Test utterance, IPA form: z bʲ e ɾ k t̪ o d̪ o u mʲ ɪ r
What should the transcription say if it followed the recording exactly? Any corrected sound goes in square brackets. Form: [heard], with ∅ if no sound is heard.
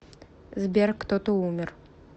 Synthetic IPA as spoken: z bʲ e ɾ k t̪ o [t̪] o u mʲ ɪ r